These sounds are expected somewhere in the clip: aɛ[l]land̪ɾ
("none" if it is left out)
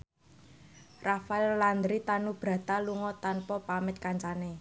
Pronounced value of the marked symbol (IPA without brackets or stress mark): l